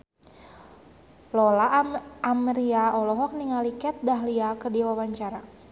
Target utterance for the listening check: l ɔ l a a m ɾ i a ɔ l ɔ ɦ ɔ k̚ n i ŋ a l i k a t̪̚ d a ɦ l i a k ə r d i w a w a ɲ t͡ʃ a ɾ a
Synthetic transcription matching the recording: l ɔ l a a m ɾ i a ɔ l ɔ ɦ ɔ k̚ n i ŋ a l i k ɛ t̪̚ d a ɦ l i a k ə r d i w a w a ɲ t͡ʃ a ɾ a